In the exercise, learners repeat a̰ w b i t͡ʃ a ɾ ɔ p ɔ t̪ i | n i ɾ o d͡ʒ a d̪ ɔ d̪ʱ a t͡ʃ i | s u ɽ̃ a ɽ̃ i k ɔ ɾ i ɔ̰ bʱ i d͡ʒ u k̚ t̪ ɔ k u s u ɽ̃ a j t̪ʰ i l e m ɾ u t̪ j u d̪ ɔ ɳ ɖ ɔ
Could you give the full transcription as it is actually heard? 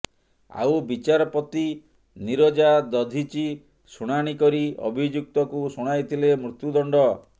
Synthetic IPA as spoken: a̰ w b i t͡ʃ a ɾ ɔ p ɔ t̪ i | n i ɾ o d͡ʒ a d̪ ɔ d̪ʱ i t͡ʃ i | s u ɽ̃ a ɽ̃ i k ɔ ɾ i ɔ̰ bʱ i d͡ʒ u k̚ t̪ ɔ k u s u ɽ̃ a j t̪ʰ i l e m ɾ u t̪ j u d̪ ɔ ɳ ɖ ɔ